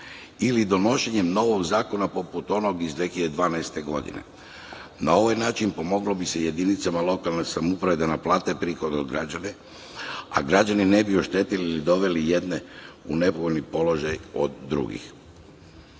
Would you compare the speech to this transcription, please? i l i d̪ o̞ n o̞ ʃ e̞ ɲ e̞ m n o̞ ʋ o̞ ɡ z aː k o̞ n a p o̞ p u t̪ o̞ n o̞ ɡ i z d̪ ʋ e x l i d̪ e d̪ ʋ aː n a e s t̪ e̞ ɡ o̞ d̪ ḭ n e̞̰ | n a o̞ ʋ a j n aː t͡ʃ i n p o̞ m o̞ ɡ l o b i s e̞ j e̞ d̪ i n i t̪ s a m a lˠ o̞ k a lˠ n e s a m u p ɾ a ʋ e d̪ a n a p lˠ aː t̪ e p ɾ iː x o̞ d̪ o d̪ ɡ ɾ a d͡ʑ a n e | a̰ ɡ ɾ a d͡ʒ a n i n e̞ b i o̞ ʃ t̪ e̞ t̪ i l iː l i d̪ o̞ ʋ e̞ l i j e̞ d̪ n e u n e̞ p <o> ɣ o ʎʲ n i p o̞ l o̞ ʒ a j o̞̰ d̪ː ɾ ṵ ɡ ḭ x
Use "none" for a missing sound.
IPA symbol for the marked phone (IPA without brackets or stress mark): o